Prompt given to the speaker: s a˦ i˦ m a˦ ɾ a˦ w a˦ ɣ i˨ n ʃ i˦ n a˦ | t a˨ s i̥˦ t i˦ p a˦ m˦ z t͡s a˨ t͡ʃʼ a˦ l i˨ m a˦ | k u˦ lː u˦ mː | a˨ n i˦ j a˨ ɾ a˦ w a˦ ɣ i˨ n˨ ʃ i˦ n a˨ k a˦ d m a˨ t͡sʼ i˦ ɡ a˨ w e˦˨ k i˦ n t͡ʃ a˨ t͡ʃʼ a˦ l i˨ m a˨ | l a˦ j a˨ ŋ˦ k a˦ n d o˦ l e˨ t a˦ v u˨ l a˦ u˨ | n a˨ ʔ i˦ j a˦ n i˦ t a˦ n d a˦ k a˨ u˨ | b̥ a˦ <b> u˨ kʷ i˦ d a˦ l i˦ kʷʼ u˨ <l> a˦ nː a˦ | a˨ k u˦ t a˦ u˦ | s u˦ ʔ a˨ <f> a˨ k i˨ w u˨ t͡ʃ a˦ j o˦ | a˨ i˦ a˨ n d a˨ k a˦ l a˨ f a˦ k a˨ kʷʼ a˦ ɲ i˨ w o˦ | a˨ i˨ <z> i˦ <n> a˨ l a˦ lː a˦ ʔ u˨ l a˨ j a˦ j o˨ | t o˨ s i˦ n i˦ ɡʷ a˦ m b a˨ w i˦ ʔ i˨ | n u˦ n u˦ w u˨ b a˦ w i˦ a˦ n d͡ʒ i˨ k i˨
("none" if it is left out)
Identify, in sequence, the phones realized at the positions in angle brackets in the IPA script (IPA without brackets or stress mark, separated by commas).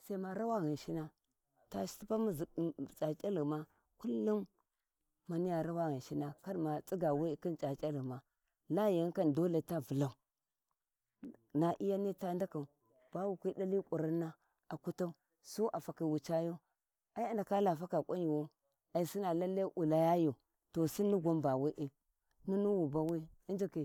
w, ɾ, f, s, n